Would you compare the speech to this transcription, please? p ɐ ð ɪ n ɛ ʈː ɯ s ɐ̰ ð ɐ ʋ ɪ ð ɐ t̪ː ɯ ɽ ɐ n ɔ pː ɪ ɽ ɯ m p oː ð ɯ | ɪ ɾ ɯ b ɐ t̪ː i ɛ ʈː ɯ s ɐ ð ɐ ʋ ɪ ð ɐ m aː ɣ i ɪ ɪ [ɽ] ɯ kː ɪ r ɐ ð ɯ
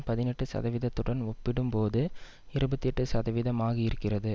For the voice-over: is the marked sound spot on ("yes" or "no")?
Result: no